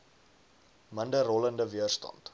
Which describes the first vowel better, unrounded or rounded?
unrounded